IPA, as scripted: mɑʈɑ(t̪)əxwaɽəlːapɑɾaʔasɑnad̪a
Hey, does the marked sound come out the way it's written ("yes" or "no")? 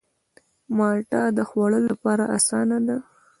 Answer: no